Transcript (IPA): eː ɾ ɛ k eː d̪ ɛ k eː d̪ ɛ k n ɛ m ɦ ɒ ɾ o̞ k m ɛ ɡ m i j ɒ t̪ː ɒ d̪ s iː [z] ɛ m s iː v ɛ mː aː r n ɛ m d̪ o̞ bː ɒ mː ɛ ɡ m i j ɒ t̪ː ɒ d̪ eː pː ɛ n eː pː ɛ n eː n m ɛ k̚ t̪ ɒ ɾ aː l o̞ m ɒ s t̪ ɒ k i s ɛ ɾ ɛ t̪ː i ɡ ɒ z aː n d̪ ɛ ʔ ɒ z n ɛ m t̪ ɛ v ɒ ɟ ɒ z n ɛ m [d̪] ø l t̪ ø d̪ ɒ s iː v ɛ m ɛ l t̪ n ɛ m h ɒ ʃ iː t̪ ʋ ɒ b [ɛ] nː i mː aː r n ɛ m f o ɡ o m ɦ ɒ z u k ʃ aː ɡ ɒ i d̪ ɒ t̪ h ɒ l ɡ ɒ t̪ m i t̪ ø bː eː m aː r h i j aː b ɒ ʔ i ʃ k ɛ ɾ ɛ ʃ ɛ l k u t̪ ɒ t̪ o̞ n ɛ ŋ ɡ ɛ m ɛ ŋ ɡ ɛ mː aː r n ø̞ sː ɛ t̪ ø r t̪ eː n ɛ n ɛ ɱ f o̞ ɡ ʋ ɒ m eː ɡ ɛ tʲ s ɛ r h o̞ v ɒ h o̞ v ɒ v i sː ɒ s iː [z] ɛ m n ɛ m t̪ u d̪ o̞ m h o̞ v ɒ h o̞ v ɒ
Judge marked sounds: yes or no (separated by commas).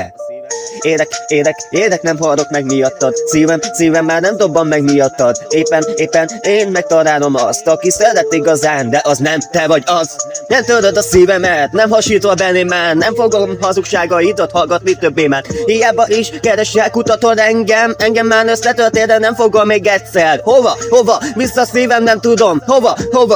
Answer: no, no, yes, no